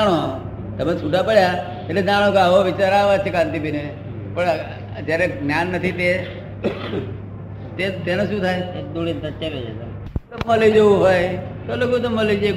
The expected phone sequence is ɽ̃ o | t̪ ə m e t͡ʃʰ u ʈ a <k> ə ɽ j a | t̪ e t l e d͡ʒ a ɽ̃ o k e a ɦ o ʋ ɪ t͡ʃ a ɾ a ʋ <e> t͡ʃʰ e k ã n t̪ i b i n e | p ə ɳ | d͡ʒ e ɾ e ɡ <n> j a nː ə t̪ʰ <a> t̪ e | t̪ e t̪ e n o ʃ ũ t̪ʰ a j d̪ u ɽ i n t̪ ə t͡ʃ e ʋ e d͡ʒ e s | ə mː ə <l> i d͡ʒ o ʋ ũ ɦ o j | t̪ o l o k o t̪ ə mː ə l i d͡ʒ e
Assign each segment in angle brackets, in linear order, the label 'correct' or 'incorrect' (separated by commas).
incorrect, incorrect, correct, incorrect, correct